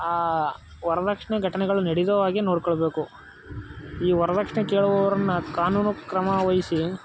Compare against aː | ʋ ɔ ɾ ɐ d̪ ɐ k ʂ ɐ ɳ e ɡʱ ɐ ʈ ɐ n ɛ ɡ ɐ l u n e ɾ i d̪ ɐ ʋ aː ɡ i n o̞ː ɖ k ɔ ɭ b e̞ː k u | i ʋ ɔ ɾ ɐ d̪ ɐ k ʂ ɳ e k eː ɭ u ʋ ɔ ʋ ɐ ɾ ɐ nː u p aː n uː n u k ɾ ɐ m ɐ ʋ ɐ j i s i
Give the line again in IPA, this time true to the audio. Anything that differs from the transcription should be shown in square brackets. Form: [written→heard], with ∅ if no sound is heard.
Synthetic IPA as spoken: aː | ʋ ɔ ɾ ɐ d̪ ɐ k ʂ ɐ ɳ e ɡʱ ɐ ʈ ɐ n ɛ ɡ ɐ [l→ɭ] u n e [ɾ→ɽ] i d̪ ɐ ʋ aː ɡ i n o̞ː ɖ k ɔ ɭ b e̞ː k u | [i→iː] ʋ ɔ ɾ ɐ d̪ ɐ k ʂ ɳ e k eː ɭ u ʋ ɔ ʋ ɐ ɾ ɐ nː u [p→k] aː n uː n u k ɾ ɐ m ɐ ʋ ɐ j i s i

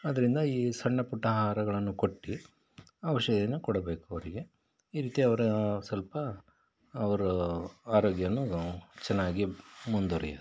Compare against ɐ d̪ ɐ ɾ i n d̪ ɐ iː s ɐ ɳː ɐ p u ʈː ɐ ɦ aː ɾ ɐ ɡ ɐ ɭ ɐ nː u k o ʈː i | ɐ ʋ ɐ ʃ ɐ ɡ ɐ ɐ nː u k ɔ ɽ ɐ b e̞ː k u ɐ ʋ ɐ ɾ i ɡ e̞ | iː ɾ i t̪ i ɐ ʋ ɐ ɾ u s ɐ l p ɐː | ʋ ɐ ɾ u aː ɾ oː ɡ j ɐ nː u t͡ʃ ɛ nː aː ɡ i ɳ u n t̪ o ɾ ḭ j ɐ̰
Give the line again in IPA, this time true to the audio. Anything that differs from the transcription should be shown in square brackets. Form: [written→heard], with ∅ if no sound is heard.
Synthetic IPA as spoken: ɐ d̪ ɐ ɾ i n d̪ ɐ iː s ɐ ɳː ɐ p u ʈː ɐ ɦ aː ɾ ɐ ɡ ɐ ɭ ɐ nː u k o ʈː i | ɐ ʋ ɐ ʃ ɐ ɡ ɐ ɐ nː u k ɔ ɽ ɐ b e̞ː k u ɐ ʋ ɐ ɾ i ɡ e̞ | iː ɾ [i→iː] t̪ i ɐ ʋ ɐ ɾ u s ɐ l p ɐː | ʋ ɐ ɾ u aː ɾ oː ɡ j ɐ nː u t͡ʃ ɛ nː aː ɡ i [ɳ→m] u n [t̪→d̪] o ɾ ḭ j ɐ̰

